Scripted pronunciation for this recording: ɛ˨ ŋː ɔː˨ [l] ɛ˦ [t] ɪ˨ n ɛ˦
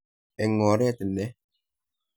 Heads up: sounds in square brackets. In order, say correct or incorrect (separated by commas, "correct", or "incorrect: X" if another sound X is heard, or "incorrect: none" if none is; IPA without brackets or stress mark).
incorrect: ɾ, correct